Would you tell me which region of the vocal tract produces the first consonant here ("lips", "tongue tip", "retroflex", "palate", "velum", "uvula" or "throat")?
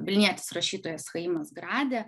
lips